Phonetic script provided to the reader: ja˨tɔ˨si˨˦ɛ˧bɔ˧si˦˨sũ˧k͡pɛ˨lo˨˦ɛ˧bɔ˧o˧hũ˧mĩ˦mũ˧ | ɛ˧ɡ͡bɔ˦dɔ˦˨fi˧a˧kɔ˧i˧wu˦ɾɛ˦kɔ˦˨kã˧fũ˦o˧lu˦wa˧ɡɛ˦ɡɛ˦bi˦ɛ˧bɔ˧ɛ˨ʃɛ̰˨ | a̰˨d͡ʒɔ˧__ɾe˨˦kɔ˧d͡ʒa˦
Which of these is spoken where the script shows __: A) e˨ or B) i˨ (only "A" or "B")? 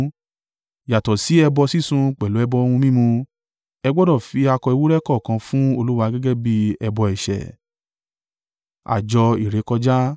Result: B